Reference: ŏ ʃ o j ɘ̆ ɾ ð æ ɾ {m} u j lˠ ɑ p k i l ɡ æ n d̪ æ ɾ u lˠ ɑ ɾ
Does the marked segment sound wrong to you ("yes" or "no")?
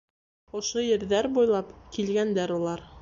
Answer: yes